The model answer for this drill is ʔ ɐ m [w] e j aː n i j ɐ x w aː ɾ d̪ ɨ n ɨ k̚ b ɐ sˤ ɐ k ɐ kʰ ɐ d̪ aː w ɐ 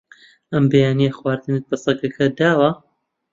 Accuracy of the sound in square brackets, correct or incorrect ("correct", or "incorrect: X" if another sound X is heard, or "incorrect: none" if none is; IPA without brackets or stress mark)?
incorrect: b